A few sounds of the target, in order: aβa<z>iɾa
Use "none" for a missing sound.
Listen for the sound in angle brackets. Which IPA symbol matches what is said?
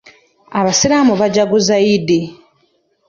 s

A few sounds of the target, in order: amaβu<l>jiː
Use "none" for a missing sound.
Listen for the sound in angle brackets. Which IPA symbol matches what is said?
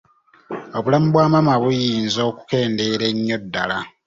none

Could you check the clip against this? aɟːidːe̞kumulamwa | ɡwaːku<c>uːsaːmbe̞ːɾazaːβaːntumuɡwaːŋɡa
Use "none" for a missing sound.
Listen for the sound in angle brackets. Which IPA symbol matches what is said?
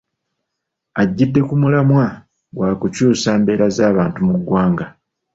c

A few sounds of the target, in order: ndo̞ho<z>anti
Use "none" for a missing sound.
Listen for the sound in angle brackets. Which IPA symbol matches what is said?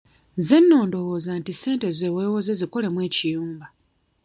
z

